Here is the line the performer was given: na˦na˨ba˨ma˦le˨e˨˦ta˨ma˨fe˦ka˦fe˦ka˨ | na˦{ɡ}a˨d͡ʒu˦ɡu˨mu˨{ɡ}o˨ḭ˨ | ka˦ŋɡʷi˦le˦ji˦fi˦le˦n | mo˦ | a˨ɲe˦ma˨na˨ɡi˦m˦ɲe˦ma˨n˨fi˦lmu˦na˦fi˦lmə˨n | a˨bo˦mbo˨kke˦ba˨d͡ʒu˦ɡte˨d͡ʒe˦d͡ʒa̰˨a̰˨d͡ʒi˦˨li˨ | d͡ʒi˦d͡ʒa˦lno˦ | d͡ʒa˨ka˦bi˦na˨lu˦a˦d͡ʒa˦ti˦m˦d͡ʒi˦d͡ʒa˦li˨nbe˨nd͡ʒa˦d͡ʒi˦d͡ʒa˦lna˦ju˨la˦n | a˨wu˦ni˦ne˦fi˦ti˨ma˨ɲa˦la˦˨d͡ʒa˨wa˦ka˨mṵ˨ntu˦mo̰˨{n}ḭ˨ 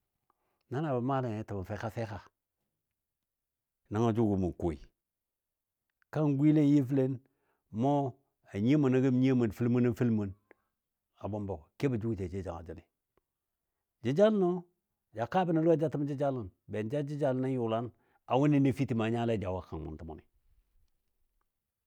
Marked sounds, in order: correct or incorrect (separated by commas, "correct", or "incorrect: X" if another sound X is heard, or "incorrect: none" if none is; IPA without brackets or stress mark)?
incorrect: ŋ, incorrect: k, correct